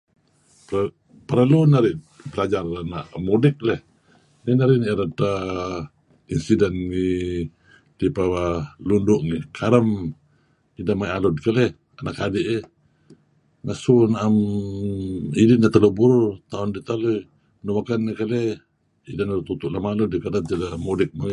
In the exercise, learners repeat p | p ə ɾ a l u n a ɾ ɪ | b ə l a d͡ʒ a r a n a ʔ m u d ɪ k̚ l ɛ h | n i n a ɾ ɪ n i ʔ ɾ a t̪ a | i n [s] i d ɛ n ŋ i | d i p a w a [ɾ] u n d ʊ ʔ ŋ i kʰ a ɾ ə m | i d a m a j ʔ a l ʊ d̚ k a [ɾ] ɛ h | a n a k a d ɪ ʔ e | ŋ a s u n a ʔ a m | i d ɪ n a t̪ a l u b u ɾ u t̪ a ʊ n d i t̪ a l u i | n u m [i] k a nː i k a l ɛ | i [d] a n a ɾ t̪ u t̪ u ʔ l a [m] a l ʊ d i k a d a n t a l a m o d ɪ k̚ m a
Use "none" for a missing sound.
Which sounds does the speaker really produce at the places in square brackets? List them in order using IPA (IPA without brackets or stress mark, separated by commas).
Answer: s, l, l, a, d, m